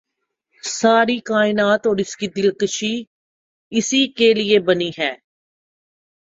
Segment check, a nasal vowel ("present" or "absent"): absent